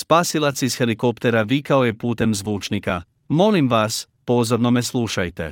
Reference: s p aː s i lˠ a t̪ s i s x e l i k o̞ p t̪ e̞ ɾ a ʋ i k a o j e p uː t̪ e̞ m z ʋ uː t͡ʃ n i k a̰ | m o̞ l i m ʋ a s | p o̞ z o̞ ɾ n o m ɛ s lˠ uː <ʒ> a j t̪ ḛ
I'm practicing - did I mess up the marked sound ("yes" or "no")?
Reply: yes